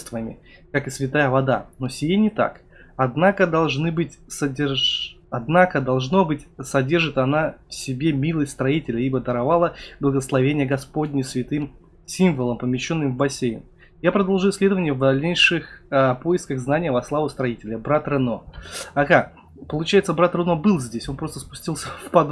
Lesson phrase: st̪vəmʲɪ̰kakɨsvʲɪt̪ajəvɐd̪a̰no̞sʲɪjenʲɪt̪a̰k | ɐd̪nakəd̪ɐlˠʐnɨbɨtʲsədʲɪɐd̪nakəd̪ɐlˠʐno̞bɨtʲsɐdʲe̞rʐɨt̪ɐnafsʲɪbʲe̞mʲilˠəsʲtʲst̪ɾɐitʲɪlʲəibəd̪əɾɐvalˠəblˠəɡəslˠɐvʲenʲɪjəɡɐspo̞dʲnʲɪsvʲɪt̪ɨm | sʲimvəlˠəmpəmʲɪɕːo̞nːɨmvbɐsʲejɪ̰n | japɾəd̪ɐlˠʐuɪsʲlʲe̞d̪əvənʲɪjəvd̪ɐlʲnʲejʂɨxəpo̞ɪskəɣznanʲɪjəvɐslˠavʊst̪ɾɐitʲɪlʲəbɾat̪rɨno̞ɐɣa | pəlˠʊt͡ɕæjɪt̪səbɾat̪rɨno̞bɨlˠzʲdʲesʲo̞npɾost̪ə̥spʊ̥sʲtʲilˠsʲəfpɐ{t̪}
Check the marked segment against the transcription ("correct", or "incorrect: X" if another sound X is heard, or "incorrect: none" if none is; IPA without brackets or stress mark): incorrect: d̪